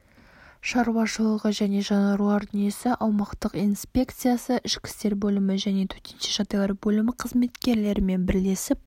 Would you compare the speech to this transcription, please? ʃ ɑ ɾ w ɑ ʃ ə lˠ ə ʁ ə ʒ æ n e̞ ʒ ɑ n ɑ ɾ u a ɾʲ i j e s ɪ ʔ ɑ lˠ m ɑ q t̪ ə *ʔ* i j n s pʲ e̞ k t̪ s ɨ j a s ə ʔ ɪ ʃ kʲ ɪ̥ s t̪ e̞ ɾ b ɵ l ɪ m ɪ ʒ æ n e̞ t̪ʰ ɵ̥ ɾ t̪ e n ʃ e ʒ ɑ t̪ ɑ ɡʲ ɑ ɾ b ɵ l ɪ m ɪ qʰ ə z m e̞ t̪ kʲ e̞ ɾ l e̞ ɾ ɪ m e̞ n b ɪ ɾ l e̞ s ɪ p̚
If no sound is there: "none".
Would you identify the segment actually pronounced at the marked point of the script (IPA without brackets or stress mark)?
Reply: q